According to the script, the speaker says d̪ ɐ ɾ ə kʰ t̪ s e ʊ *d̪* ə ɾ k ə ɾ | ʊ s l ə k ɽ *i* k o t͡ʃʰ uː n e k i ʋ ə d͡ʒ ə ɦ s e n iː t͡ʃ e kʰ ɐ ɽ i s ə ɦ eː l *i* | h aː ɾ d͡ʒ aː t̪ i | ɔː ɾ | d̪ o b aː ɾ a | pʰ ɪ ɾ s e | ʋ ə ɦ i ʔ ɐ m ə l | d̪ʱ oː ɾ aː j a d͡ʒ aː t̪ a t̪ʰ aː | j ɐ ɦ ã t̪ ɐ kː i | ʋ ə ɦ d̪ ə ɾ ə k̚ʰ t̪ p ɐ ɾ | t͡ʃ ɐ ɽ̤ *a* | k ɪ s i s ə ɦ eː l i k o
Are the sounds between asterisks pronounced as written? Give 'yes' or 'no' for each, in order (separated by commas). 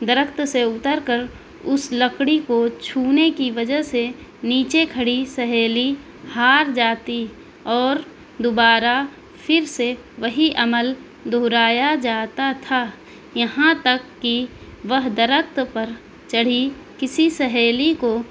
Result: no, yes, yes, no